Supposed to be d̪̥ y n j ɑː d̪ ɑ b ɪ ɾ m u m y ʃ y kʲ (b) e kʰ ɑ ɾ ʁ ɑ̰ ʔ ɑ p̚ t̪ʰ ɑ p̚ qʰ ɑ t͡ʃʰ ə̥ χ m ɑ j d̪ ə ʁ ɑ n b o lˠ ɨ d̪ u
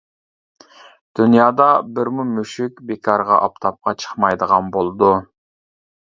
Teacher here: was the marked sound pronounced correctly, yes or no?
yes